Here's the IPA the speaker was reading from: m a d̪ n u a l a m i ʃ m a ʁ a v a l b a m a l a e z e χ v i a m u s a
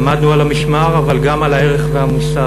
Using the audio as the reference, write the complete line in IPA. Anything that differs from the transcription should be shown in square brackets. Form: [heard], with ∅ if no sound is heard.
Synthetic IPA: m a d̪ n u a l a m i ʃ m a ʁ a v a l [ɡ] a m a l a e [ʁ] e χ v [e] a m u s a